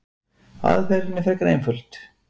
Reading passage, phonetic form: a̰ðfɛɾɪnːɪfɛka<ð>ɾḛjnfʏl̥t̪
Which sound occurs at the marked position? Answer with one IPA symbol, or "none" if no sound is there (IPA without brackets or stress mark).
none